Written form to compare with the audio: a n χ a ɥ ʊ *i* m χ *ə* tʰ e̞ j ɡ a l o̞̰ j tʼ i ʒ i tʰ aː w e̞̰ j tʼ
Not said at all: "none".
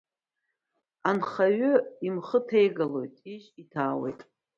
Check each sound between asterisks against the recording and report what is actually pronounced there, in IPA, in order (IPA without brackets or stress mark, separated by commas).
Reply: i, ə